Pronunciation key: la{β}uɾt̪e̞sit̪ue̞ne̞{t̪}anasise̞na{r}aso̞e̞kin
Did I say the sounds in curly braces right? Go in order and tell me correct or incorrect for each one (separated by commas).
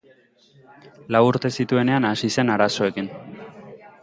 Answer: incorrect, incorrect, incorrect